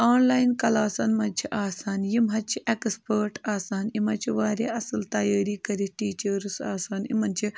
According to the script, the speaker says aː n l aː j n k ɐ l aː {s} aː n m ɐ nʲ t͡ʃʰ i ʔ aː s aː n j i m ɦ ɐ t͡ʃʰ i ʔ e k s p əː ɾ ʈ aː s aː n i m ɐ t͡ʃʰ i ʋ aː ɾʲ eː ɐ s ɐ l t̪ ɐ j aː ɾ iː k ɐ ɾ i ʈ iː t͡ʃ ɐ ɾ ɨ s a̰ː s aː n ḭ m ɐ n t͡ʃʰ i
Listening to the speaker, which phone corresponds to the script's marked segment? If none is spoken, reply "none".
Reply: s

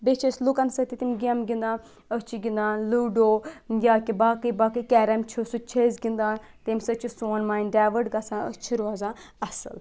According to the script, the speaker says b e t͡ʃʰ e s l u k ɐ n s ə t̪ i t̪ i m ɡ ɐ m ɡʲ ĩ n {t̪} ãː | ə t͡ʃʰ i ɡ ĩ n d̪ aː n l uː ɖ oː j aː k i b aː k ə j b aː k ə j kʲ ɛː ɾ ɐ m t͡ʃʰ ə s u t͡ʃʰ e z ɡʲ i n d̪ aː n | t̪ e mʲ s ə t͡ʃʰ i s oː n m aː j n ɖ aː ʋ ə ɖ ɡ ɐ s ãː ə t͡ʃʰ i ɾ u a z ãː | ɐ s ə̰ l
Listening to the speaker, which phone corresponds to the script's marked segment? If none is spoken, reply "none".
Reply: d̪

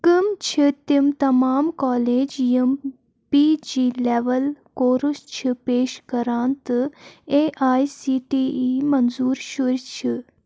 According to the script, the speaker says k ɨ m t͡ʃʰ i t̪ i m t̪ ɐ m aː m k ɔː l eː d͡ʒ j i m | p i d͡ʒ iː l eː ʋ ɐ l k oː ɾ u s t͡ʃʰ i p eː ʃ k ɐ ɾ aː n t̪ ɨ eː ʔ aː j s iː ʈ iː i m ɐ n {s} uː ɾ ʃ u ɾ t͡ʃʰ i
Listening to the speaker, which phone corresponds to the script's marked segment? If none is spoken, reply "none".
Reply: z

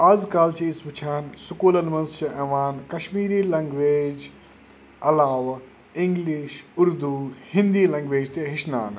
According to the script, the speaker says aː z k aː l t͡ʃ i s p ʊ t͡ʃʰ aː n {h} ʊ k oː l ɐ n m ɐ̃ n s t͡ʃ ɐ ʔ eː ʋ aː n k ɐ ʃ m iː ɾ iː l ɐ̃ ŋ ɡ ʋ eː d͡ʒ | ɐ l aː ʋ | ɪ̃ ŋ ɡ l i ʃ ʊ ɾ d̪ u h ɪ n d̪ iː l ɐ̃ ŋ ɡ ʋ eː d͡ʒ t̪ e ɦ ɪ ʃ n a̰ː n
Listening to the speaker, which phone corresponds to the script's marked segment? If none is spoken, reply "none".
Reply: s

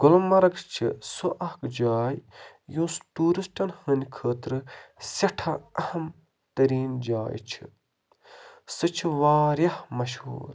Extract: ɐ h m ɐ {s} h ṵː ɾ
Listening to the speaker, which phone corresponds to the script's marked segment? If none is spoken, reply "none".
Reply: ʃ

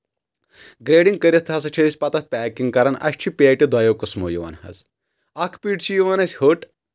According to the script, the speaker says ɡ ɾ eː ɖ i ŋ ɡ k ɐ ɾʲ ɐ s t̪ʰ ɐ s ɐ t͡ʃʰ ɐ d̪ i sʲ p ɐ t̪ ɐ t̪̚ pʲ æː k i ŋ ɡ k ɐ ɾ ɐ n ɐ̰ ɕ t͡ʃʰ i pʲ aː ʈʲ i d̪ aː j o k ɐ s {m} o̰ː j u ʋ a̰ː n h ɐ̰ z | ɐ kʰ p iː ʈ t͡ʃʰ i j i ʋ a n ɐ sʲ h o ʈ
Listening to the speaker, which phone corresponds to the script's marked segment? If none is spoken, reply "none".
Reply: m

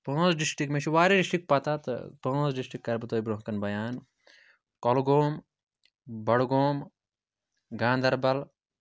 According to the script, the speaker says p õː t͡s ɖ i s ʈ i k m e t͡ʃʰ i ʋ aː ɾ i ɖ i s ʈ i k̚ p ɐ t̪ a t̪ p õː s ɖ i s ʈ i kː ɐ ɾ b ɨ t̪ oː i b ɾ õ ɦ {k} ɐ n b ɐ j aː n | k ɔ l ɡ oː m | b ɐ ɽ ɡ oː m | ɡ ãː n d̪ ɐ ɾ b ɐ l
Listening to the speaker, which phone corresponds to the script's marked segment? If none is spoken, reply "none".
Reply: k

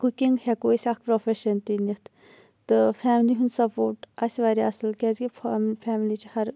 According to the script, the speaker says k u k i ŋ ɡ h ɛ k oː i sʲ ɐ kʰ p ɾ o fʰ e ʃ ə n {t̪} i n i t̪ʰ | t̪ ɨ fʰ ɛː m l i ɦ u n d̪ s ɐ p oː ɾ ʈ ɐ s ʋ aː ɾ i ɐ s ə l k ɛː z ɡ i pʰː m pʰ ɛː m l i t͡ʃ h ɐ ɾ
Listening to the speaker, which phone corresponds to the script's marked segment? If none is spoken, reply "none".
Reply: t̪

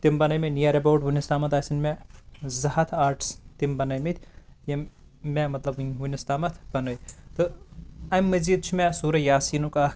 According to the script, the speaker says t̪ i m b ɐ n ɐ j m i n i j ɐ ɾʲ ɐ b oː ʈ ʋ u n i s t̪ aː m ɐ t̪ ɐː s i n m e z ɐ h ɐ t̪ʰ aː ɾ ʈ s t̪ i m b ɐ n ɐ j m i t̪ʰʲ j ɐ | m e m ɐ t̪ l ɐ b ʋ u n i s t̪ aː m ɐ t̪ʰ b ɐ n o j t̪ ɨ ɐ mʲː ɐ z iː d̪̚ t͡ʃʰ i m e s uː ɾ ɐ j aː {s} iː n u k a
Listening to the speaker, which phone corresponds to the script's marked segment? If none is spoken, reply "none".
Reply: s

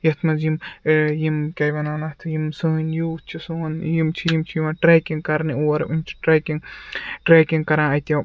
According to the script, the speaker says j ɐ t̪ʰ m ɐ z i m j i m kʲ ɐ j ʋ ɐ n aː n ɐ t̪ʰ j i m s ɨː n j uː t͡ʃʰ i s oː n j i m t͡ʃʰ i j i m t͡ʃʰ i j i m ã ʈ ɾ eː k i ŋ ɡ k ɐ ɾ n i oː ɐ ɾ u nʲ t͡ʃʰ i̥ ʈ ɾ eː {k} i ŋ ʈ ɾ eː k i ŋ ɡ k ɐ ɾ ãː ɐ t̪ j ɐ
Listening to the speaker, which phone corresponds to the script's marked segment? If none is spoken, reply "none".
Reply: k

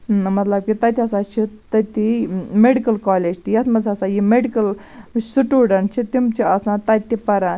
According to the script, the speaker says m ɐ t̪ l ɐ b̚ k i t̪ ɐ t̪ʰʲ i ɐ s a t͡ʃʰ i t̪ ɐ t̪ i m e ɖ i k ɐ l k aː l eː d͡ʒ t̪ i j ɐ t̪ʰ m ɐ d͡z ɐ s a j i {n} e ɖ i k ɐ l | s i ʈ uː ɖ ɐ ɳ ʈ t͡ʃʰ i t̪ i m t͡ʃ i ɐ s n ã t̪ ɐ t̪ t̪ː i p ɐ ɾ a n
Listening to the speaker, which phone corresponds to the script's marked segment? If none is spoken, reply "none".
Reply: m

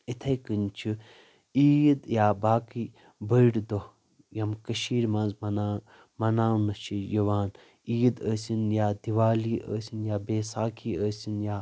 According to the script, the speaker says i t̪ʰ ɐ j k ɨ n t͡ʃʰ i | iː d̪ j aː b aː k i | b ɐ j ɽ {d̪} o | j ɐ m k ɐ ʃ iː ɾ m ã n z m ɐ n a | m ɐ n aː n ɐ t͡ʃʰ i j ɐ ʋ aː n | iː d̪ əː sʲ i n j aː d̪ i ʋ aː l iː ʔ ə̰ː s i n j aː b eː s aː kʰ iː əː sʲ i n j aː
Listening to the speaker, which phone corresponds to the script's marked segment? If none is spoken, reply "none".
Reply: d̪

